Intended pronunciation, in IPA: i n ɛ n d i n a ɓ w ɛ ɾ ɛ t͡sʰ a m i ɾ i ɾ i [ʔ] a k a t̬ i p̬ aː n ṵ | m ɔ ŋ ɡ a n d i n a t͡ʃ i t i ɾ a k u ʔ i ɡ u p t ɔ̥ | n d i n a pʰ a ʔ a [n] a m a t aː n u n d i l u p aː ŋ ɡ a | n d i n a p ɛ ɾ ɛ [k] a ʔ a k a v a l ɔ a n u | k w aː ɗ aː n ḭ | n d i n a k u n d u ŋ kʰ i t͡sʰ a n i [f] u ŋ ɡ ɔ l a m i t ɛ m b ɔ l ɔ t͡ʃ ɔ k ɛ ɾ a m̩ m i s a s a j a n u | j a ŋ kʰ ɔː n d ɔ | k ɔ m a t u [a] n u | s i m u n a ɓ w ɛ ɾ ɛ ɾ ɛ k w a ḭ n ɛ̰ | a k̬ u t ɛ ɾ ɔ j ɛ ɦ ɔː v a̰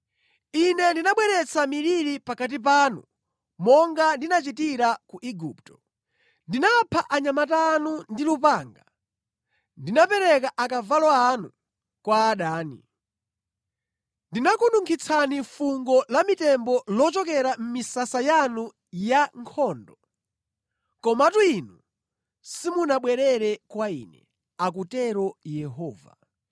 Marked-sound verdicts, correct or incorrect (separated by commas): incorrect, incorrect, correct, correct, incorrect